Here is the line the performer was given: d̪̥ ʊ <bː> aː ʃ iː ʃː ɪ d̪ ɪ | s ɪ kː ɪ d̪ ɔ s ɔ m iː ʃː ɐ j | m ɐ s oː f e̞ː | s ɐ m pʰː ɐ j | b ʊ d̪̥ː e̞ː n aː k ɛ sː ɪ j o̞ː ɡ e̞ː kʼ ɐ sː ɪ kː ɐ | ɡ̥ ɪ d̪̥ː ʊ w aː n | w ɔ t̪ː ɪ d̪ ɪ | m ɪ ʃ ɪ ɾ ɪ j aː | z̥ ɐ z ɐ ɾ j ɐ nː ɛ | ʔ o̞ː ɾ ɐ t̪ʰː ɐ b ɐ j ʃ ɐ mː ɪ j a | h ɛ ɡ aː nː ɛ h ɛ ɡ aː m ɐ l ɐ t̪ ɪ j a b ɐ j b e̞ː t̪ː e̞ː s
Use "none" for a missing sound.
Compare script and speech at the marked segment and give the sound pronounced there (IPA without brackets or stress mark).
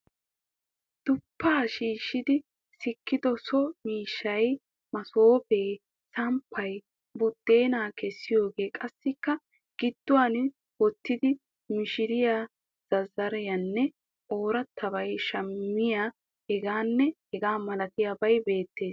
pː